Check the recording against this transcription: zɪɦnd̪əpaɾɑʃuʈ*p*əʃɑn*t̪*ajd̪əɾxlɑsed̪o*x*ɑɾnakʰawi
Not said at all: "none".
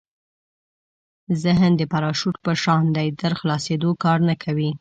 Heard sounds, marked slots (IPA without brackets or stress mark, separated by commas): p, d̪, k